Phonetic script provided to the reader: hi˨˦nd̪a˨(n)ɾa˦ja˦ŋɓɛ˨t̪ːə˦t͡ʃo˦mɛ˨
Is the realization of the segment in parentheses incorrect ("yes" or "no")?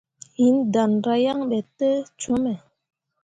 no